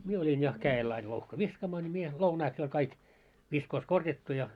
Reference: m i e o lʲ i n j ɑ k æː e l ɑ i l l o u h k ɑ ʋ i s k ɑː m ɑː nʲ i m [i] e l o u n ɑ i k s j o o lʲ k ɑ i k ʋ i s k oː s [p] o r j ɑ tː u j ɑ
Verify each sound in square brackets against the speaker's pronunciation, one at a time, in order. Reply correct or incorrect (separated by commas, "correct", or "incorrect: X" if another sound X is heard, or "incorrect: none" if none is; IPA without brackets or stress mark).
correct, incorrect: k